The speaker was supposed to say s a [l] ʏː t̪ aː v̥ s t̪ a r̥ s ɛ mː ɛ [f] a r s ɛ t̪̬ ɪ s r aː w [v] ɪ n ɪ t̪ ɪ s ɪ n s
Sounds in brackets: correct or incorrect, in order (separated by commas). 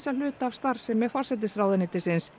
correct, correct, incorrect